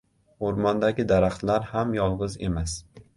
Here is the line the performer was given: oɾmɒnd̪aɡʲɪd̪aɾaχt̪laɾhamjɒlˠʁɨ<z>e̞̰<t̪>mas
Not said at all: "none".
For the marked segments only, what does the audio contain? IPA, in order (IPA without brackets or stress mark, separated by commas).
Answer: z, none